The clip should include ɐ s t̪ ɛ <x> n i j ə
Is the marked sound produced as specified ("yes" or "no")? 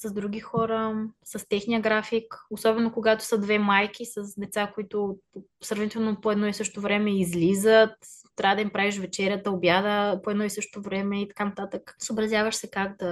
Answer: yes